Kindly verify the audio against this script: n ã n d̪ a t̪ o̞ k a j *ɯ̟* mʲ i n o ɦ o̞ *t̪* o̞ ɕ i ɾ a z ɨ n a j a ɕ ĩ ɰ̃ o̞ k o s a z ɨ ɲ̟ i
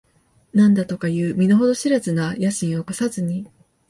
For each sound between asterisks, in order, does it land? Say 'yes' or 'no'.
no, no

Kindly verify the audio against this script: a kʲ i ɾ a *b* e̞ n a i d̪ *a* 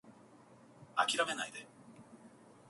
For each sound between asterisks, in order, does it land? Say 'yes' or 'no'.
no, no

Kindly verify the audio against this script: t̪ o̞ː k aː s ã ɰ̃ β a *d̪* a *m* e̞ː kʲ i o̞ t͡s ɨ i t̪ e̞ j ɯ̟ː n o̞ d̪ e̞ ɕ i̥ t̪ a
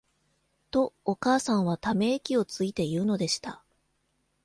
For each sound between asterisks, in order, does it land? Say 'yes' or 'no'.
no, yes

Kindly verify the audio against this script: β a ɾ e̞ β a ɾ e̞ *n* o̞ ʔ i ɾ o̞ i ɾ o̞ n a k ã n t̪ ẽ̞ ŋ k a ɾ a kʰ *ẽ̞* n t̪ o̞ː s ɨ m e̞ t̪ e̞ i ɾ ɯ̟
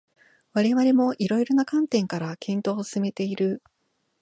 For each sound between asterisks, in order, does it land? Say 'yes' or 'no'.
no, yes

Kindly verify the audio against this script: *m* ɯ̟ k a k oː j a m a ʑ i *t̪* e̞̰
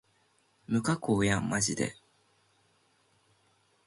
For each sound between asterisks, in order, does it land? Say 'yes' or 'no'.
yes, no

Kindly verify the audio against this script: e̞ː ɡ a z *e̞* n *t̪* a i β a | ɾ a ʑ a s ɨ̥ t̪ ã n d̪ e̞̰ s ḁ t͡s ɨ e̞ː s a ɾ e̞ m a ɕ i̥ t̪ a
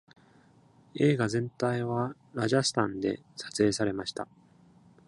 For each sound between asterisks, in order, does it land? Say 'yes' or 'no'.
no, yes

